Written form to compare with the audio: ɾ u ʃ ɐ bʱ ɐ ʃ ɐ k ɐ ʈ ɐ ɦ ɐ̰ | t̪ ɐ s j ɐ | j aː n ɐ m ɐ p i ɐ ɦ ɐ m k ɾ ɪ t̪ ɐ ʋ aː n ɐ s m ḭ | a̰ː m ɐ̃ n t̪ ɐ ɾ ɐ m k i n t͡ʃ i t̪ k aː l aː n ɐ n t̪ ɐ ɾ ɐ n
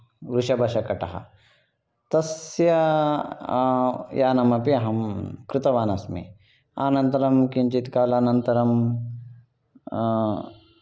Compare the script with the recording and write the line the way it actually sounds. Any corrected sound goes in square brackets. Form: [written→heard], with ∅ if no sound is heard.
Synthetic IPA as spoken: ɾ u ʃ ɐ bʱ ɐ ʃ ɐ k ɐ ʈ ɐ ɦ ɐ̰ | t̪ ɐ s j ɐ | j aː n ɐ m ɐ p i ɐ ɦ ɐ m k ɾ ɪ t̪ ɐ ʋ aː n ɐ s m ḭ | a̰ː [m→n] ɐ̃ n t̪ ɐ ɾ ɐ m k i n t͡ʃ i t̪ k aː l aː n ɐ n t̪ ɐ ɾ ɐ [n→m]